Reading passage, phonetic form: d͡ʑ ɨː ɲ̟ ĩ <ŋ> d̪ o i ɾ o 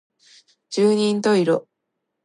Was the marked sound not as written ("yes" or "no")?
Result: yes